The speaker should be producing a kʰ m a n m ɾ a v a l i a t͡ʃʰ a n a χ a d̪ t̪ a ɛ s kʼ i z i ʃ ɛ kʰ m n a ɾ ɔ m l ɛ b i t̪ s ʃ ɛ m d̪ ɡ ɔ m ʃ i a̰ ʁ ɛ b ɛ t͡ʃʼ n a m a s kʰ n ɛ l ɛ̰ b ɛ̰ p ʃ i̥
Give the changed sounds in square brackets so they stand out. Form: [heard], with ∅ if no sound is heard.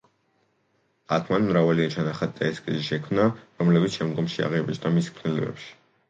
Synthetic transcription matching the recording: a kʰ m a n m ɾ a v a l i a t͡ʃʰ a n a χ a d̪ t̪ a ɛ s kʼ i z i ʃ ɛ kʰ m n a ɾ ɔ m l ɛ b i t̪ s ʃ ɛ m d̪ ɡ ɔ m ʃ i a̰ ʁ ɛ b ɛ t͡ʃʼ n a m [i] s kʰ n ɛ l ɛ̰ b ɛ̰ p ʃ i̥